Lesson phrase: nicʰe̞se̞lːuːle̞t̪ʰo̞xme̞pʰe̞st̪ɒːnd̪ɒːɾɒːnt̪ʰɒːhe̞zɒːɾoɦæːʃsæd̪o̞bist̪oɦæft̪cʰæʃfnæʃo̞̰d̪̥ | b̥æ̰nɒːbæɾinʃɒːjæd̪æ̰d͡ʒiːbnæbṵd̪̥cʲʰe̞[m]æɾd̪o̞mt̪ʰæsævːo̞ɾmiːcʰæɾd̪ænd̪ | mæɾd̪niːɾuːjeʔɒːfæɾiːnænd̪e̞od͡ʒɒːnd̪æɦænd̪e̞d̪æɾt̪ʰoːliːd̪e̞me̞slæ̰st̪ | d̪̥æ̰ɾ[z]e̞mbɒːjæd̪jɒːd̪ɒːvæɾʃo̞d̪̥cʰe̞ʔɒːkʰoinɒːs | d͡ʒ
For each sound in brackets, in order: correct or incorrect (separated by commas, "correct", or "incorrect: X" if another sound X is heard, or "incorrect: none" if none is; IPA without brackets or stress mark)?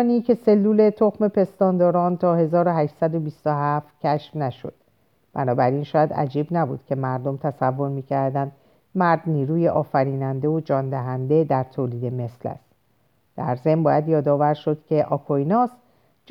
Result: correct, correct